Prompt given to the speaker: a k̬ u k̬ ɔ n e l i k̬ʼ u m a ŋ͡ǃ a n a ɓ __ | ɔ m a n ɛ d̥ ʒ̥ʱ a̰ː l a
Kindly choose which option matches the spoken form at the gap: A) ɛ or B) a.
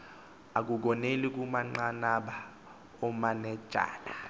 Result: B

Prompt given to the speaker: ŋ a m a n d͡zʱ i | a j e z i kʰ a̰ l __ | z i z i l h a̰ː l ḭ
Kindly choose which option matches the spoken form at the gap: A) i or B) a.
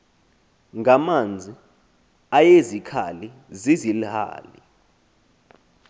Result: A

